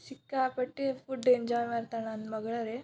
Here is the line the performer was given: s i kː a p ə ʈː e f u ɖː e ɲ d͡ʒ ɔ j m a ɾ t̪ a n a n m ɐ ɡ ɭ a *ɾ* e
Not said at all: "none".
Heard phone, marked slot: ɾ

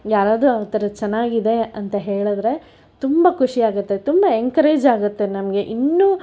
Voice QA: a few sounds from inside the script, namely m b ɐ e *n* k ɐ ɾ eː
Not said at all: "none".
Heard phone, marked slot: ŋ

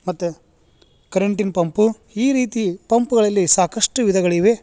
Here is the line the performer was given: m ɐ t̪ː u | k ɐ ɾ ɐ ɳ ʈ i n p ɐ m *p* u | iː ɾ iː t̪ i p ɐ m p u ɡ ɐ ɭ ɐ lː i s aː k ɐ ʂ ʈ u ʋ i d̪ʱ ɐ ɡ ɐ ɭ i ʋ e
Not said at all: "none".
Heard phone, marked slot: p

